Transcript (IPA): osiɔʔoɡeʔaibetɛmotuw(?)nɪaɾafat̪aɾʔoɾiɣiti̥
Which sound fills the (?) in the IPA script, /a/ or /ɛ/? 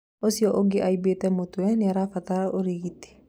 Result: ɛ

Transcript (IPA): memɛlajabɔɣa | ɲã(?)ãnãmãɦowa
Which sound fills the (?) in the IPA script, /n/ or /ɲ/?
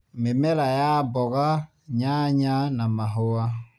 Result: ɲ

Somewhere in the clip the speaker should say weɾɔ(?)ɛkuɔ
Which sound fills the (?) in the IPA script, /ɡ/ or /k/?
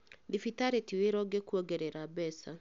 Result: ɡ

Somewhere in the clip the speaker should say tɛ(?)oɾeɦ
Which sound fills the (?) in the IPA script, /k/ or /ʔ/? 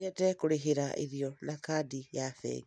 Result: k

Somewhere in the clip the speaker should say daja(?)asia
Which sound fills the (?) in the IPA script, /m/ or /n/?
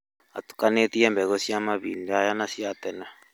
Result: n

